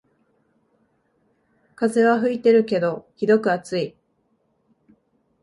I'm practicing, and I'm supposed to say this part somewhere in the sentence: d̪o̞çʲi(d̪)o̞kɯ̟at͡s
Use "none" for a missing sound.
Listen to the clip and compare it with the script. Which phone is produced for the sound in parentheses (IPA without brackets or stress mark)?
d̪